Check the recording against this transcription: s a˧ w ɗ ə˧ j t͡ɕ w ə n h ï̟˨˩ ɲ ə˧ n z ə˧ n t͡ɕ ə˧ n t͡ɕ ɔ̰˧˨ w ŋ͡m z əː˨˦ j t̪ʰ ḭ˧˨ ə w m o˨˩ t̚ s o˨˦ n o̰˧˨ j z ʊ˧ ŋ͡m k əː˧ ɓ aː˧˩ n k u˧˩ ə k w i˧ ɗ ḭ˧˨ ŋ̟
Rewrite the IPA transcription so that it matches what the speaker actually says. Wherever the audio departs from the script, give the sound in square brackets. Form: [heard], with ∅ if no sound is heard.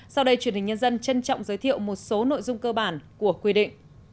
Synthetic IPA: s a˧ w ɗ ə˧ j t͡ɕ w ə n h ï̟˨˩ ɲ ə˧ n z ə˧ n t͡ɕ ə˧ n t͡ɕ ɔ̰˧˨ w ŋ͡m z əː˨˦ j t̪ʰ ḭ˧˨ ə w m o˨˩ t̚ s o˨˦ n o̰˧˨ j z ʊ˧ ŋ͡m k əː˧ ɓ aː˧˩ n k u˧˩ ə k w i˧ ɗ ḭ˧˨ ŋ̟